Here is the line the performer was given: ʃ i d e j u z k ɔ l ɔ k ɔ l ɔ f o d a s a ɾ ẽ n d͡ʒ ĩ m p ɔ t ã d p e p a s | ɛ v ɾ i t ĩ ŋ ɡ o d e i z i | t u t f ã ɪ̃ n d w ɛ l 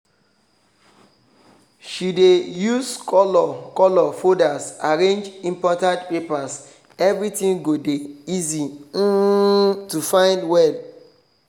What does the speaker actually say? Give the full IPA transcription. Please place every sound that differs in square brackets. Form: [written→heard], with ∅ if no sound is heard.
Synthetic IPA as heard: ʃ i d e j u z k ɔ l ɔ k ɔ l ɔ f o d a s a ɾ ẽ n d͡ʒ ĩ m p ɔ t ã d p e p a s | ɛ v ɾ i t ĩ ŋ ɡ o d e i z i | t u [t→∅] f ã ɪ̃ n d w ɛ l